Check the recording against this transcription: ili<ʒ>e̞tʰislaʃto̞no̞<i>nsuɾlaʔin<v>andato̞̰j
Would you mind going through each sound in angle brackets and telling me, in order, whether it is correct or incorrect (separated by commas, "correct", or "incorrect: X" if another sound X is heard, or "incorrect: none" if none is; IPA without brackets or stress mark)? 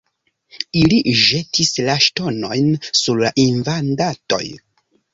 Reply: correct, incorrect: j, correct